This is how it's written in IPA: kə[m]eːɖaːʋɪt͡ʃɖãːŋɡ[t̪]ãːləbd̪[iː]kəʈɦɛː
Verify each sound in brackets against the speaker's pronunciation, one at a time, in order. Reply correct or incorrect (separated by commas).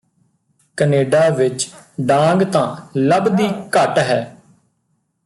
incorrect, correct, correct